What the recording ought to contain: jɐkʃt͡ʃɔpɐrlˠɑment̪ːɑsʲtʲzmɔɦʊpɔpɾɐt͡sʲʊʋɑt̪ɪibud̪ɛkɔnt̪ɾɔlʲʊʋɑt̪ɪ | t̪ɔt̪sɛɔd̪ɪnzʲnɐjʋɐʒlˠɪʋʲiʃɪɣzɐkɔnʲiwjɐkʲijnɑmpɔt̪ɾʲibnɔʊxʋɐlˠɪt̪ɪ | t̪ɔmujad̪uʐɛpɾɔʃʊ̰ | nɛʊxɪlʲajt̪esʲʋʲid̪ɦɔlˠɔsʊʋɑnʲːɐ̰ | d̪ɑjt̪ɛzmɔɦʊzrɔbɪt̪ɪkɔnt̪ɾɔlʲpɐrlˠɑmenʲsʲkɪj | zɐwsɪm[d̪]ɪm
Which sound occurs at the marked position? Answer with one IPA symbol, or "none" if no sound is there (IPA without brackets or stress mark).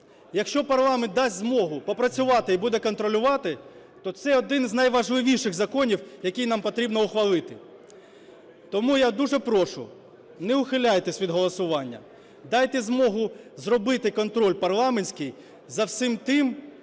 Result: t̪